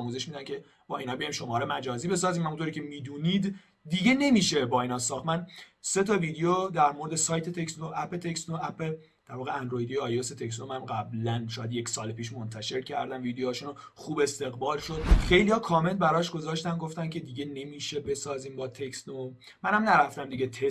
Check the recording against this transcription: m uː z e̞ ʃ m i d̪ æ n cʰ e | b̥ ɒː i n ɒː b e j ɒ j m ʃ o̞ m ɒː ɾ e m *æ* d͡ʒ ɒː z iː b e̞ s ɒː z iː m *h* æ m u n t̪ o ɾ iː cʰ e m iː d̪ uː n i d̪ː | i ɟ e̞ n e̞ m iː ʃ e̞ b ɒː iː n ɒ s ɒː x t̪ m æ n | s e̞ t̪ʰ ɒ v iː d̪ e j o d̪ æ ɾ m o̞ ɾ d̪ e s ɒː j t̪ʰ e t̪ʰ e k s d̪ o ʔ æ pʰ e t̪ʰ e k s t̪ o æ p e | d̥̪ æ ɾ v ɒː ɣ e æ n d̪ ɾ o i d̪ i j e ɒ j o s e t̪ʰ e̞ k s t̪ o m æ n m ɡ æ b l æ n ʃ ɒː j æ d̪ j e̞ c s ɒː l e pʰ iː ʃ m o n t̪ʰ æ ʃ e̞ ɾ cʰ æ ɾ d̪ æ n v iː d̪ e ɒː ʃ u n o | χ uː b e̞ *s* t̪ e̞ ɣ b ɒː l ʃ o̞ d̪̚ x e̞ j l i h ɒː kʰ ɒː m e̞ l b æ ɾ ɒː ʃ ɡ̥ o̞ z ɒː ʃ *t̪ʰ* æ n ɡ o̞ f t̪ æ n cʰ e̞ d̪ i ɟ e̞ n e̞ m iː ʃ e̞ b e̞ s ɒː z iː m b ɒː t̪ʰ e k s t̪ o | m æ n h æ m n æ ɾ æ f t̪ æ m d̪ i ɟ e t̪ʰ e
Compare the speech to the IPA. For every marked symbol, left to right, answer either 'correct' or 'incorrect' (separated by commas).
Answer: correct, correct, correct, incorrect